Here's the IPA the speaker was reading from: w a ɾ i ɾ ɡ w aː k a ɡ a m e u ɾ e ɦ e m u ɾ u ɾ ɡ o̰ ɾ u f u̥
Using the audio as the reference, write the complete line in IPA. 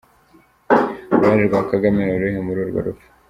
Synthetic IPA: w a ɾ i ɾ ɡ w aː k a ɡ a m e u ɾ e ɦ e m u ɾ u ɾ ɡ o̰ ɾ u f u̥